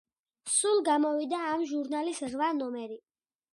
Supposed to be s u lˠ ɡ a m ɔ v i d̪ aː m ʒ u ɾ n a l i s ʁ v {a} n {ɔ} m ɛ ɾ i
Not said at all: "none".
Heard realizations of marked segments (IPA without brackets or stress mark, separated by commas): a, ɔ